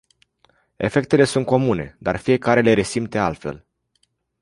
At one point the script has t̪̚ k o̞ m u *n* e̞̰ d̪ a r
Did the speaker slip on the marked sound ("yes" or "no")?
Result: no